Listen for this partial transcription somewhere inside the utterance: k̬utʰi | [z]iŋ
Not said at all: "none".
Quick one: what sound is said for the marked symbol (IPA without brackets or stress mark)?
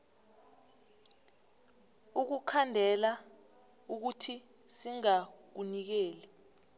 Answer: s